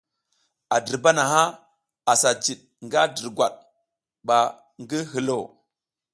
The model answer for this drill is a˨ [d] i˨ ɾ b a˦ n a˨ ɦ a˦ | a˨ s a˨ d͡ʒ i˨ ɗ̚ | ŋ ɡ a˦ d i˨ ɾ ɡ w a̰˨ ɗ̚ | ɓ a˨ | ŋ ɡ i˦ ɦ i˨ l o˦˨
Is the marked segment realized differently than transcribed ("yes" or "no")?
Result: no